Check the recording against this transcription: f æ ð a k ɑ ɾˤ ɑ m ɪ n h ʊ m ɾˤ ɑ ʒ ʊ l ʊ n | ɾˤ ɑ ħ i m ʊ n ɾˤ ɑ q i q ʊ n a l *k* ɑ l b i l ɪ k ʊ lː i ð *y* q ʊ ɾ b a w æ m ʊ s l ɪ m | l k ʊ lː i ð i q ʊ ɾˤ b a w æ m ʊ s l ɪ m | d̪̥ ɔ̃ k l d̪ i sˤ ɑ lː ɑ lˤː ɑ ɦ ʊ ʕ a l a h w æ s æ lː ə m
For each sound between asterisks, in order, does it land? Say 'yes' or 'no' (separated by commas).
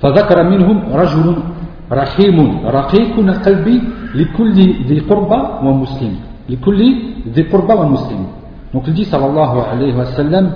no, no